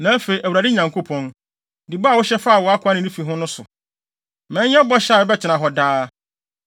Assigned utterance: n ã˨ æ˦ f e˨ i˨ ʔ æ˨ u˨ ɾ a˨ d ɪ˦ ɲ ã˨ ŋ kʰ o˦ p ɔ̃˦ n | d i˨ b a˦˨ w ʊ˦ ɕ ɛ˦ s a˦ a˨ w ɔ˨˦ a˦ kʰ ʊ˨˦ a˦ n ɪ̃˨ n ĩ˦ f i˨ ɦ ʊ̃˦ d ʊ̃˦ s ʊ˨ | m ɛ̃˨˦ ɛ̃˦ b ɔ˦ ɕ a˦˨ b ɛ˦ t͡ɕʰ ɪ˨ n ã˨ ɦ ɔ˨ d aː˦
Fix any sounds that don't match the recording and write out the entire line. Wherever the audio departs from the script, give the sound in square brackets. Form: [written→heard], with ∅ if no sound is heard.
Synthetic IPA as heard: n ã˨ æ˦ f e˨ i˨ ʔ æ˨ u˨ ɾ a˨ d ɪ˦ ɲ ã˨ ŋ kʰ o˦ [p→pʰ] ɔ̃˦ n | d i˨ b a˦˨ w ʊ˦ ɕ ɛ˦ [s→f] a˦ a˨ w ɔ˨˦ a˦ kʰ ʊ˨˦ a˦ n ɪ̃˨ n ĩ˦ f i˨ ɦ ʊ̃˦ [d→n] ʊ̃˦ s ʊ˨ | m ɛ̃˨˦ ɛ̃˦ b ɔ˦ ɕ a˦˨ b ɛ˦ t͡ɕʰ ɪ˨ n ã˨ ɦ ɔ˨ d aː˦